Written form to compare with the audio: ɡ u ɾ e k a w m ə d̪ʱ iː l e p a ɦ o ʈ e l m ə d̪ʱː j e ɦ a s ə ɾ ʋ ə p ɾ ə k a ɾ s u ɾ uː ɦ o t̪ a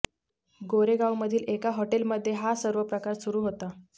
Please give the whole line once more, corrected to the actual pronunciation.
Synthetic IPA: ɡ o ɾ e ɡ a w m ə d̪ʱ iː l e k a ɦ o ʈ e l m ə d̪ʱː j e ɦ a s ə ɾ ʋ ə p ɾ ə k a ɾ s u ɾ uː ɦ o t̪ a